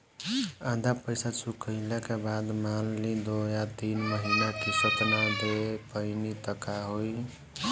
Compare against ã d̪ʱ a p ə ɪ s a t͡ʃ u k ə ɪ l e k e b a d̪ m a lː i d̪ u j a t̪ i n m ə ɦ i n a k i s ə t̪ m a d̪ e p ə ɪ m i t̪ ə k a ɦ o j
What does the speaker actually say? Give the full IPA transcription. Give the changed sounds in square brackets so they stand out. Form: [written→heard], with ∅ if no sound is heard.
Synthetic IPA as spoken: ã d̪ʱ a p ə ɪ s a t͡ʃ u k ə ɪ l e k e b a d̪ m a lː i d̪ [u→o] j a t̪ i n m ə ɦ i n a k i s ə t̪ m a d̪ e p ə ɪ [m→n] i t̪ ə k a ɦ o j